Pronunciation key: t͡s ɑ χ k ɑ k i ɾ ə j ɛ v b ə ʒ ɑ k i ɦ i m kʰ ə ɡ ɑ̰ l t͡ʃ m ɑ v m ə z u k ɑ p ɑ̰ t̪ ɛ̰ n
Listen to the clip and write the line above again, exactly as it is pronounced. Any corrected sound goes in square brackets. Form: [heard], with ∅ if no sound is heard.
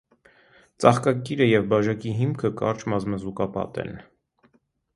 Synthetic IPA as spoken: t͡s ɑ χ k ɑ k i ɾ ə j ɛ v b [ɑ] ʒ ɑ k i ɦ i m kʰ ə [k] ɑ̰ [ɾ] t͡ʃ m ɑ [z] m ə z u k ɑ p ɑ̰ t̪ ɛ̰ n

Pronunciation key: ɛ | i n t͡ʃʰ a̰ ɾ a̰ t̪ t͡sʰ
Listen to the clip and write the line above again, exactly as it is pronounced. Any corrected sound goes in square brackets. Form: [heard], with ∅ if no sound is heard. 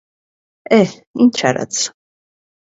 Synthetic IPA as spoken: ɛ | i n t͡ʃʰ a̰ ɾ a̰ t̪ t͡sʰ

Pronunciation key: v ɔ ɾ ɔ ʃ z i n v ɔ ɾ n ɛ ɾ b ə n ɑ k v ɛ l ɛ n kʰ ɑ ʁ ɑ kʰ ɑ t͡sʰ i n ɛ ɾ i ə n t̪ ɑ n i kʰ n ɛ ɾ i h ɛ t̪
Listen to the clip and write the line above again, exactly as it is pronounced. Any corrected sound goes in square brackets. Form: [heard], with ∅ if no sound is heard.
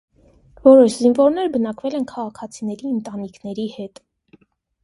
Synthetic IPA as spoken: v ɔ ɾ ɔ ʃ z i n v ɔ ɾ n ɛ ɾ b ə n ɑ k v ɛ l ɛ n kʰ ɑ ʁ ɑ kʰ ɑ t͡sʰ i n ɛ ɾ i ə n t̪ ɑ n i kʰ n ɛ ɾ i h ɛ t̪

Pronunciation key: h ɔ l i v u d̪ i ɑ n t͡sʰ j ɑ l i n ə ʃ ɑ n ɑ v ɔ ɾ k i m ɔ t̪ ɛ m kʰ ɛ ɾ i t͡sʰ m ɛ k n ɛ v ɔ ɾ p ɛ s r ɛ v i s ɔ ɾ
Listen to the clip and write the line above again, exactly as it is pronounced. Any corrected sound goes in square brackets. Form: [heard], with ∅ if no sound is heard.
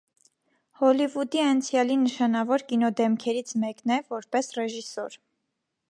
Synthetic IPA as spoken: h ɔ l i v u d̪ i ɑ n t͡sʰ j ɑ l i n ə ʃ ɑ n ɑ v ɔ ɾ k i [n] ɔ [d̪] ɛ m kʰ ɛ ɾ i t͡sʰ m ɛ k n ɛ v ɔ ɾ p ɛ s r ɛ [ʒ] i s ɔ ɾ

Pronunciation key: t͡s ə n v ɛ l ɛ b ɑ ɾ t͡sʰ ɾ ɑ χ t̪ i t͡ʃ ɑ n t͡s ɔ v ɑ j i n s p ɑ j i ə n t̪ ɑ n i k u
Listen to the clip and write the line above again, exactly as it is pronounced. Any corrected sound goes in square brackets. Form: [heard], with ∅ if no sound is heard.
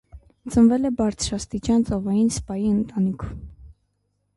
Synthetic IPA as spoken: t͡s ə n v ɛ l ɛ b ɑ ɾ t͡sʰ ɾ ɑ [s] t̪ i t͡ʃ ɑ n t͡s ɔ v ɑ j i n s p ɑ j i ə n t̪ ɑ n i [kʰ] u

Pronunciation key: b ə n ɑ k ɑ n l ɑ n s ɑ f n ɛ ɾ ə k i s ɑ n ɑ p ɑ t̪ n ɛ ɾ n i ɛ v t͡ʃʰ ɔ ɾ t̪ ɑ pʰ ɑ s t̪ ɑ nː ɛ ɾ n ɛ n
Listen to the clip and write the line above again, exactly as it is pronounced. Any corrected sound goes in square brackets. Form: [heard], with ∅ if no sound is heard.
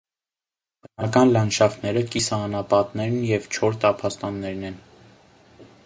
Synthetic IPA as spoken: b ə n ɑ k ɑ n l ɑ n [ʃ] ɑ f n ɛ ɾ ə k i s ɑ n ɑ p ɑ t̪ n ɛ ɾ n [j] ɛ v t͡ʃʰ ɔ ɾ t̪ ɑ pʰ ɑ s t̪ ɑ nː ɛ ɾ n ɛ n

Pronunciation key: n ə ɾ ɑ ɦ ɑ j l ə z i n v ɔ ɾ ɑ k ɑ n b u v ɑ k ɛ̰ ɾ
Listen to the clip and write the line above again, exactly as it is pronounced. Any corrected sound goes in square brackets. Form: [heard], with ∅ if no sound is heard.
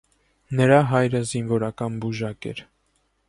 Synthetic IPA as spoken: n ə ɾ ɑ ɦ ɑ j [ɾ] ə z i n v ɔ ɾ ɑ k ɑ n b u [ʒ] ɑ k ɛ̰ ɾ

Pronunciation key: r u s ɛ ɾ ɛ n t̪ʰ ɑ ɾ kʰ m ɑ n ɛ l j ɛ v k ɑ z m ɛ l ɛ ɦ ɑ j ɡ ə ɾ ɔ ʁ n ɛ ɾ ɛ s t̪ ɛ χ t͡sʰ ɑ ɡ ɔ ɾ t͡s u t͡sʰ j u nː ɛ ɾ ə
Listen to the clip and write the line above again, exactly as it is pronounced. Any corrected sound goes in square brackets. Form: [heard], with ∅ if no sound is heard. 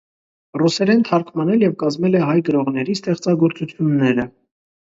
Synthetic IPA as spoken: r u s ɛ ɾ ɛ n t̪ʰ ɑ ɾ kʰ m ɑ n ɛ l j ɛ v k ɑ z m ɛ l ɛ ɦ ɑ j ɡ ə ɾ ɔ ʁ n ɛ ɾ [i] s t̪ ɛ χ [t͡s] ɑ ɡ ɔ ɾ t͡s u t͡sʰ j u nː ɛ ɾ ə

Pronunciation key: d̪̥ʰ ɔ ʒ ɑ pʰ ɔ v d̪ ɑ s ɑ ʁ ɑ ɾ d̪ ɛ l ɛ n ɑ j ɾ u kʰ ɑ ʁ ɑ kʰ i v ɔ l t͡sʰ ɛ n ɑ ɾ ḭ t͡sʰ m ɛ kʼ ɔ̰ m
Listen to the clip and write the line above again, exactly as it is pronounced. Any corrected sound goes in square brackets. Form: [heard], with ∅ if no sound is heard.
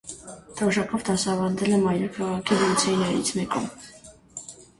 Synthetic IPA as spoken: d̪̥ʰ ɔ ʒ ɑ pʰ ɔ v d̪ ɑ s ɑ [v] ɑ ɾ d̪ ɛ l ɛ [m] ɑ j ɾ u kʰ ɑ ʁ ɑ kʰ i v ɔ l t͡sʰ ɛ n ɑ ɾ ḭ t͡sʰ m ɛ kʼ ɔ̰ m

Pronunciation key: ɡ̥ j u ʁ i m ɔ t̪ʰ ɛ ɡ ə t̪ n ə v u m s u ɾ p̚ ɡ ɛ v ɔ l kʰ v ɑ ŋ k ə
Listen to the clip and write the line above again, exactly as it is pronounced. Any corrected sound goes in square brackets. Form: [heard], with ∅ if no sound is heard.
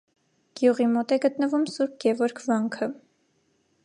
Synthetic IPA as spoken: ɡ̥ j u ʁ i m ɔ [t̪] ɛ ɡ ə t̪ n ə v u m s u ɾ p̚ ɡ ɛ v ɔ [ɾ] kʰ v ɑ ŋ [kʰ] ə

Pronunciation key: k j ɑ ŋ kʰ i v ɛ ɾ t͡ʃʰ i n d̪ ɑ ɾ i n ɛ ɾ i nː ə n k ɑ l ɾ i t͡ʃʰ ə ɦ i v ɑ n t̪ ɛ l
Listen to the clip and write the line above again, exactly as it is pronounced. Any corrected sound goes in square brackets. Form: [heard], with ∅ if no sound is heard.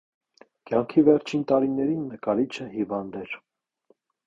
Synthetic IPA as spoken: k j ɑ ŋ kʰ i v ɛ ɾ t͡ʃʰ i n [t̪] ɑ ɾ i n ɛ ɾ i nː ə [∅] k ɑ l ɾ i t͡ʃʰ ə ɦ i v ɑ n [d̪] ɛ [ɾ]

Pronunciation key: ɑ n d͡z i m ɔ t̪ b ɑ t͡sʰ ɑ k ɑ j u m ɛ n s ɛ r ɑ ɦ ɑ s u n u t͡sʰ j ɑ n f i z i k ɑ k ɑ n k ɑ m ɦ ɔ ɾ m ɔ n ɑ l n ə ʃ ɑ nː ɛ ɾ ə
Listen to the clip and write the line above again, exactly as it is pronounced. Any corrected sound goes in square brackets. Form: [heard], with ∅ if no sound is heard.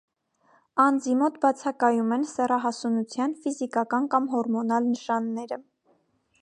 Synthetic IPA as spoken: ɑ n d͡z i m ɔ t̪ b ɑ t͡sʰ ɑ k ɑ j u m ɛ n s ɛ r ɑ ɦ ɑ s u n u t͡sʰ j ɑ n f i z i k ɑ k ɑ n k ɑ m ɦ ɔ ɾ m ɔ n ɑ l n ə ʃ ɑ nː ɛ ɾ ə

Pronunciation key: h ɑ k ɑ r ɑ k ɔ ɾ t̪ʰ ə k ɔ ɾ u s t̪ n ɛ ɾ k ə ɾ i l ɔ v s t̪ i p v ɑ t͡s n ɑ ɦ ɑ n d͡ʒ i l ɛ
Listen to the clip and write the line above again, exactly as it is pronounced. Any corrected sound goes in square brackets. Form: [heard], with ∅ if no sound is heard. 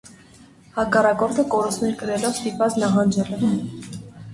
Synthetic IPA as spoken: h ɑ k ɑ r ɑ k ɔ ɾ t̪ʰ ə k ɔ ɾ u s t̪ n ɛ ɾ k ə ɾ [ɛ] l ɔ v s t̪ i p v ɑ t͡s n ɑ ɦ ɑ n d͡ʒ [ɛ] l ɛ

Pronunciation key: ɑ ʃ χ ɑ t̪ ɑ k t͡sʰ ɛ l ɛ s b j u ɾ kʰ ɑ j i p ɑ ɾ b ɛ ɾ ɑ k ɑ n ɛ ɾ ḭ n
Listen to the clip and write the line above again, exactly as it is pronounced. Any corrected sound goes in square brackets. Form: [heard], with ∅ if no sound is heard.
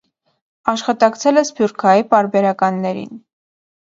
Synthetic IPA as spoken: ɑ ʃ χ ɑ t̪ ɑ k t͡sʰ ɛ l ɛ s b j u ɾ kʰ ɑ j i p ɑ ɾ b ɛ ɾ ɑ k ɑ [nː] ɛ ɾ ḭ n

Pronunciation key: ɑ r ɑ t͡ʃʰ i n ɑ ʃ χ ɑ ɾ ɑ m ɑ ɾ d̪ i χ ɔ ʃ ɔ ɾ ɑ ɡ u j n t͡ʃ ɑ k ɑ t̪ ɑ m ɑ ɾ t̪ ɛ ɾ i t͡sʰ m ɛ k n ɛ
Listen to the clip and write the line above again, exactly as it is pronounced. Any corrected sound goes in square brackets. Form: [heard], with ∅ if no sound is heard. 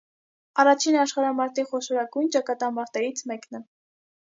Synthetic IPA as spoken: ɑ r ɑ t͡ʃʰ i n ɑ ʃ χ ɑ ɾ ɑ m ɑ ɾ [t̪] i χ ɔ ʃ ɔ ɾ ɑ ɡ u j n t͡ʃ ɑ k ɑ t̪ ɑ m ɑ ɾ t̪ ɛ ɾ i t͡sʰ m ɛ k n ɛ

